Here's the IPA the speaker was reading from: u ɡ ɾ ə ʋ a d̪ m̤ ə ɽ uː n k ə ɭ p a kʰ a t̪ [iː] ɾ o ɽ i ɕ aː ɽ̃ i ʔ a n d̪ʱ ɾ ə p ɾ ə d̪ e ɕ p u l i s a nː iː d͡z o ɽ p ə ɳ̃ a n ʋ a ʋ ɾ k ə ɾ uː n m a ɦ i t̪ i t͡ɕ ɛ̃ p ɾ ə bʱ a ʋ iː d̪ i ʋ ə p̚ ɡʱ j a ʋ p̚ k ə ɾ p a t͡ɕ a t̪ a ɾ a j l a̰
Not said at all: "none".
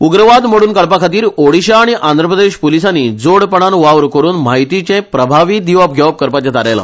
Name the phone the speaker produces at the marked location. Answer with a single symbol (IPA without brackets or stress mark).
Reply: iː